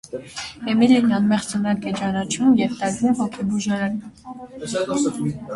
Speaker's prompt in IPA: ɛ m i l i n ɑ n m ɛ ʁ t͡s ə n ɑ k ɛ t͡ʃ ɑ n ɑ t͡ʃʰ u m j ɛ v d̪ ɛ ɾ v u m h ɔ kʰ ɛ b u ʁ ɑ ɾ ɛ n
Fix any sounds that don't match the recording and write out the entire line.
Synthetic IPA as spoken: ɛ m i l i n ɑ n m ɛ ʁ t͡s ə n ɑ k ɛ t͡ʃ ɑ n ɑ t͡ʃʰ u m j ɛ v t̪ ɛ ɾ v u m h ɔ kʰ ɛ b u ʒ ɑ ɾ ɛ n